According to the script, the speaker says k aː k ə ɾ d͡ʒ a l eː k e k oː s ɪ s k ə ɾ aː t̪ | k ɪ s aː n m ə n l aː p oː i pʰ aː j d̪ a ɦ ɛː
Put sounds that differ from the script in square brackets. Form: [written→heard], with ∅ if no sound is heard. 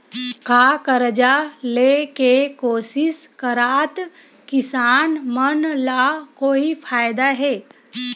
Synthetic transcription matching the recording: k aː k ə ɾ d͡ʒ a l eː k e k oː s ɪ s k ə ɾ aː t̪ | k ɪ s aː n m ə n l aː [p→k] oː i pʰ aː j d̪ a ɦ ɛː

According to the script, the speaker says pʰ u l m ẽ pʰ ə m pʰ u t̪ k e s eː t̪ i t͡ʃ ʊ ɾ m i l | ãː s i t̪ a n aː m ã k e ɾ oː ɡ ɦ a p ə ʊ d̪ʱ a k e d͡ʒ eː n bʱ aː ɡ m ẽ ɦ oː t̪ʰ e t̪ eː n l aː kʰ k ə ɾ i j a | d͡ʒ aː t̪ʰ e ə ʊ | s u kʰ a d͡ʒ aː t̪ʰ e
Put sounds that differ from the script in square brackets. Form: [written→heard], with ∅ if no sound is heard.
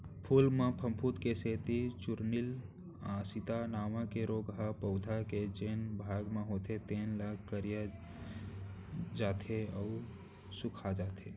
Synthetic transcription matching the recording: pʰ u l m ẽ pʰ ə m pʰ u t̪ k e s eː t̪ i t͡ʃ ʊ ɾ [m→n] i l | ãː s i t̪ a n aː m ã k e ɾ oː ɡ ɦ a p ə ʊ d̪ʱ a k e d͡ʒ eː n bʱ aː ɡ m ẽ ɦ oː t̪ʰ e t̪ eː n l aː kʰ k ə ɾ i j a | d͡ʒ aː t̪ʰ e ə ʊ | s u kʰ a d͡ʒ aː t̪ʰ e

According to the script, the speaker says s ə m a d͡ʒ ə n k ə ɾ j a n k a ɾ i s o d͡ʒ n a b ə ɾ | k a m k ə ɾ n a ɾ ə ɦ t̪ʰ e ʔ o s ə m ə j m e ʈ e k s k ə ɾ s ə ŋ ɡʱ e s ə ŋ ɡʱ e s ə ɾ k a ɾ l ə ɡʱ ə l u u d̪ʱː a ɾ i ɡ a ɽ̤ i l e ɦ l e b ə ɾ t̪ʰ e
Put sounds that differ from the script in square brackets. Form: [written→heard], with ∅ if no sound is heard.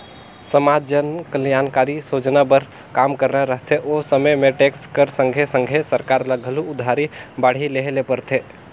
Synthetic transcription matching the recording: s ə m a d͡ʒ ə n k ə [ɾ→l] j a n k a ɾ i s o d͡ʒ n a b ə ɾ | k a m k ə ɾ n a ɾ ə ɦ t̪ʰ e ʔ o s ə m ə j m e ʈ e k s k ə ɾ s ə ŋ ɡʱ e s ə ŋ ɡʱ e s ə ɾ k a ɾ l ə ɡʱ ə l u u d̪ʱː a ɾ i [ɡ→b] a ɽ̤ i l e ɦ l e [b→p] ə ɾ t̪ʰ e

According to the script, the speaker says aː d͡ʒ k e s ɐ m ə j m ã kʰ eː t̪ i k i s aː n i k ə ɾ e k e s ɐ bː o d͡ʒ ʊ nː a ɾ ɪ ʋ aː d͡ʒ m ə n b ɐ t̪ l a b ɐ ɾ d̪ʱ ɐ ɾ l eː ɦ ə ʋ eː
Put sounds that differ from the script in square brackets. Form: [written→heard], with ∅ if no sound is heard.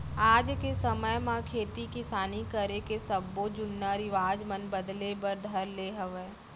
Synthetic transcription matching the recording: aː d͡ʒ k e s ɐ m ə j m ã kʰ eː t̪ i k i s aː n i k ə ɾ e k e s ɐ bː o d͡ʒ ʊ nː a ɾ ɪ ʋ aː d͡ʒ m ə n b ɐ [t̪→d̪] l [a→e] b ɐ ɾ d̪ʱ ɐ ɾ l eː ɦ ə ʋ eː

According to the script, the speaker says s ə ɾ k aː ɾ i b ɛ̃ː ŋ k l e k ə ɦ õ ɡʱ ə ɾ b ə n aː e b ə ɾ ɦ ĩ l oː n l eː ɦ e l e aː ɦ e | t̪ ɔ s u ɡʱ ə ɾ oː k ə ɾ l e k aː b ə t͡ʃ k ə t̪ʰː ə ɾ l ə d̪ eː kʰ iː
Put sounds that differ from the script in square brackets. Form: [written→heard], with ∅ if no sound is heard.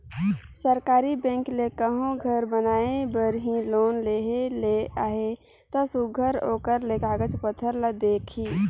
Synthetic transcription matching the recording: s ə ɾ k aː ɾ i b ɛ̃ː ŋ k l e k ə ɦ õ ɡʱ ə ɾ b ə n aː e b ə ɾ ɦ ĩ l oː n l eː ɦ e l e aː ɦ e | t̪ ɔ s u ɡʱ ə ɾ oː k ə ɾ l e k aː [b→ɡ] ə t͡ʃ [k→p] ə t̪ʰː ə ɾ l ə d̪ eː kʰ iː

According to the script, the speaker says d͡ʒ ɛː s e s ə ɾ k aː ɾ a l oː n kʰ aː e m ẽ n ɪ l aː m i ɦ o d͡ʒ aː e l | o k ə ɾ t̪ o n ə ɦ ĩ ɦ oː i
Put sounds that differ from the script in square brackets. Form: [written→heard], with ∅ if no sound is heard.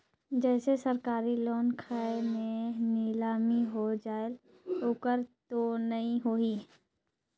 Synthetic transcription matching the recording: d͡ʒ ɛː s e s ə ɾ k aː ɾ [a→i] l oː n kʰ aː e m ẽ n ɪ l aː m i ɦ o d͡ʒ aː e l | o k ə ɾ t̪ o n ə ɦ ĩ ɦ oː i

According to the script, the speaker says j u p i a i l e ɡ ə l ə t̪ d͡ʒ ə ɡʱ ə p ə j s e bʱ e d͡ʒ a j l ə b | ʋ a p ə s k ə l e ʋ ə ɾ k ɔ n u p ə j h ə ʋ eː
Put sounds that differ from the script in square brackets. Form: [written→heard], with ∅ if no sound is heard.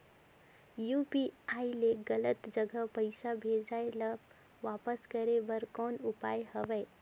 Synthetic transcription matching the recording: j u p i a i l e ɡ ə l ə t̪ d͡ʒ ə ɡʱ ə p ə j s [e→a] bʱ e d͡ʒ a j l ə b | ʋ a p ə s k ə [l→ɾ] e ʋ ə ɾ k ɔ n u p [ə→a] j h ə ʋ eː

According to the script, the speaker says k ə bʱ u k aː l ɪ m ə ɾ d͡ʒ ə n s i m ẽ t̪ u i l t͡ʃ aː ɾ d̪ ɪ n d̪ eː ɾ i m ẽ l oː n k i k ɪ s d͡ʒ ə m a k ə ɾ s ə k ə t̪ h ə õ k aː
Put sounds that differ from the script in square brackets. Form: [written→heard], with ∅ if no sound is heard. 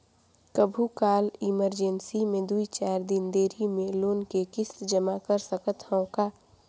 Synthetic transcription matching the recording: k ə bʱ u k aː l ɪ m ə ɾ d͡ʒ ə n s i m ẽ [t̪→d̪] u i [l→∅] t͡ʃ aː ɾ d̪ ɪ n d̪ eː ɾ i m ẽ l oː n k [i→e] k ɪ s d͡ʒ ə m a k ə ɾ s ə k ə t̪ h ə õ k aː

